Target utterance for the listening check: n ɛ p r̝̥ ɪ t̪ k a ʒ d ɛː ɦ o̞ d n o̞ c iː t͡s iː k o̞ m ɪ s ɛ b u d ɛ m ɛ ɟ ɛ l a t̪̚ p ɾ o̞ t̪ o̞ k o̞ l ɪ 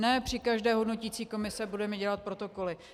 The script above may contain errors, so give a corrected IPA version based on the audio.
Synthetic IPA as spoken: n ɛ p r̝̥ ɪ k a ʒ d ɛː ɦ o̞ d n o̞ c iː t͡s iː k o̞ m ɪ s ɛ b u d ɛ m ɛ ɟ ɛ l a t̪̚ p ɾ o̞ t̪ o̞ k o̞ l ɪ